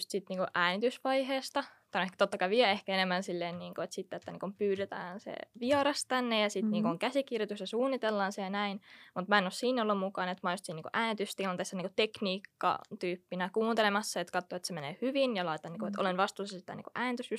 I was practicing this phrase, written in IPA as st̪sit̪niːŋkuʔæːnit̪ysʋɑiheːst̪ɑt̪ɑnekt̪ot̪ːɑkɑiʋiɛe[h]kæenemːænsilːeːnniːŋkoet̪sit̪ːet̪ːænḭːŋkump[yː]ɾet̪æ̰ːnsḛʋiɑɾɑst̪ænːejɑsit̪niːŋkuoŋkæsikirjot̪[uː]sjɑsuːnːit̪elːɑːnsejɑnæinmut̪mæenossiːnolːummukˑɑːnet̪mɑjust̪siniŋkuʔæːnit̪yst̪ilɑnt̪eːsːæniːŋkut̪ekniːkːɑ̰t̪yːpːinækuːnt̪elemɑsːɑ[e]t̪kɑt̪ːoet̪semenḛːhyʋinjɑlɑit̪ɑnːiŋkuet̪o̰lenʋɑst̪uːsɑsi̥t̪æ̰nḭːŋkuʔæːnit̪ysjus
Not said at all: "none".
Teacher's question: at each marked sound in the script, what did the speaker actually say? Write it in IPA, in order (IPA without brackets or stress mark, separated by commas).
h, yː, u, e